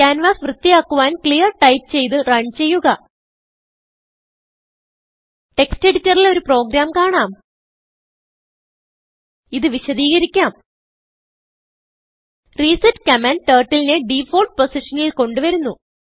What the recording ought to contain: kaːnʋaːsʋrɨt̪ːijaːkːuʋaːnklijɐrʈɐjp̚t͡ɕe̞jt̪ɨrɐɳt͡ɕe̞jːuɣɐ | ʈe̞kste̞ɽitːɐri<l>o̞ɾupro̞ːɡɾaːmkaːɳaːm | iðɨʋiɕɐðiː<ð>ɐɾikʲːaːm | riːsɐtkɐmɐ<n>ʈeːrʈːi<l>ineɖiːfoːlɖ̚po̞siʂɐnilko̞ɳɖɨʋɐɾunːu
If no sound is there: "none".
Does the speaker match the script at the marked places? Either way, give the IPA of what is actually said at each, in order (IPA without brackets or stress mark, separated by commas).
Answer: l, ɣ, n, l